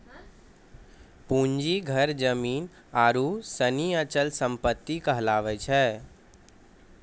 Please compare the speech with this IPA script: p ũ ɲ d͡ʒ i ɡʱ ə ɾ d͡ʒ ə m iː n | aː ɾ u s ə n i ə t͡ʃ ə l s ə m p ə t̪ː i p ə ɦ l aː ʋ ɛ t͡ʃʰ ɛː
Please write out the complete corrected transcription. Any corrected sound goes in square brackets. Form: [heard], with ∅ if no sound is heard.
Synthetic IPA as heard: p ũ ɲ d͡ʒ i ɡʱ ə ɾ d͡ʒ ə m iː n | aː ɾ u s ə n i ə t͡ʃ ə l s ə m p ə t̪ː i [k] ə ɦ l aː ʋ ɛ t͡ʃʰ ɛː